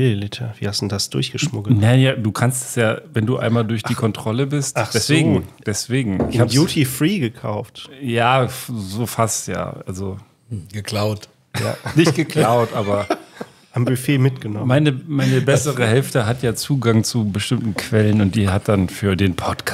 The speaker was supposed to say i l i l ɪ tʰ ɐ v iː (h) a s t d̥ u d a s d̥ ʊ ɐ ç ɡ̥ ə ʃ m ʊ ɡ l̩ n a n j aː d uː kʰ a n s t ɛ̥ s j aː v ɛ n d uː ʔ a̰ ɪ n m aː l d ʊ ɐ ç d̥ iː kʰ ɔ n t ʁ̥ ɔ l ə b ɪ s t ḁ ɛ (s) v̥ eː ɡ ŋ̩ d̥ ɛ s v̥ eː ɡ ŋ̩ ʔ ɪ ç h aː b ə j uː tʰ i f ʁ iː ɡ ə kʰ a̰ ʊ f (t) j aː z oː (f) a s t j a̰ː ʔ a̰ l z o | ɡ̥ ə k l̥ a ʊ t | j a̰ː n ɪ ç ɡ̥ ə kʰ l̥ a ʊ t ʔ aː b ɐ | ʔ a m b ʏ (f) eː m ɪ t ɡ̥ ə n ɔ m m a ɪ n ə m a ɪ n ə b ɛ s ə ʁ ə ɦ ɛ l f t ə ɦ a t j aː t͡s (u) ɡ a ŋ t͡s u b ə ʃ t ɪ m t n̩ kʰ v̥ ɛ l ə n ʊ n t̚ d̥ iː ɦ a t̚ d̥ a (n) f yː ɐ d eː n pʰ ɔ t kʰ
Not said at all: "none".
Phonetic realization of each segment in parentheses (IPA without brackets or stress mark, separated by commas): h, s, t, f, f, uː, n